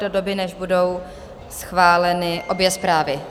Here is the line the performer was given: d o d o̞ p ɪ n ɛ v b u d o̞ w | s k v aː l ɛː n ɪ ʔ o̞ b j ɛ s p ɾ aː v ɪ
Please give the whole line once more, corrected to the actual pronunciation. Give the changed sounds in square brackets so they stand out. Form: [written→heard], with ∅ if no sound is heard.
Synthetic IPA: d o d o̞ [p→b] ɪ n ɛ [v→ʒ] b u d o̞ w | s [k→x] v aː l [ɛː→ɛ] n ɪ ʔ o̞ b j ɛ s p ɾ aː v ɪ